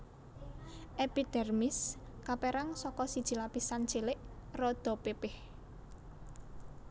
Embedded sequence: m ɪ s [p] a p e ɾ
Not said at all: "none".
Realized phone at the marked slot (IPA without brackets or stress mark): k